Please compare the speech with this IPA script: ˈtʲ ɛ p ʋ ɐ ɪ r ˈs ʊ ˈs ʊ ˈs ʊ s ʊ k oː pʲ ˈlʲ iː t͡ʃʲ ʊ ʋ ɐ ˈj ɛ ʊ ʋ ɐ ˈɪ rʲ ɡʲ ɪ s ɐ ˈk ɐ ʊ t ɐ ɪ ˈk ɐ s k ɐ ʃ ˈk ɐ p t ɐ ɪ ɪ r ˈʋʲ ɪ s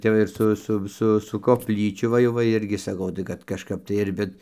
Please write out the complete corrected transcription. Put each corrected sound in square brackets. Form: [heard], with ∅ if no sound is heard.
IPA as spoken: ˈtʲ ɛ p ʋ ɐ ɪ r ˈs ʊ ˈs ʊ ˈs ʊ s ʊ k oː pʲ ˈlʲ iː t͡ʃʲ ʊ ʋ ɐ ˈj ɛ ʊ ʋ ɐ ˈɪ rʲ ɡʲ ɪ s ɐ ˈk ɐ ʊ t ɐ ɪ ˈk ɐ [t] k ɐ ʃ ˈk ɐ p t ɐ ɪ ɪ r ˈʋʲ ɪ [t]